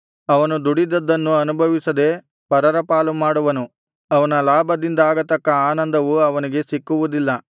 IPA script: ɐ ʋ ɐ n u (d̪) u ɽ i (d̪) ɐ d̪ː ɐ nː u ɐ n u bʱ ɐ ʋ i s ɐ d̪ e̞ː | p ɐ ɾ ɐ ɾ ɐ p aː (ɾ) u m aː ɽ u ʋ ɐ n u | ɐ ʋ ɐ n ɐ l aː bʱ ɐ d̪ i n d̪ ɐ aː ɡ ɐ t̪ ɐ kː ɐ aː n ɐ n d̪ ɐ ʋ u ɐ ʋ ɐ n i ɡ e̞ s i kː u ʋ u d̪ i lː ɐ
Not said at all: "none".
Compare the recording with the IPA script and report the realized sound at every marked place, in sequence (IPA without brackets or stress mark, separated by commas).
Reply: d̪, d̪, l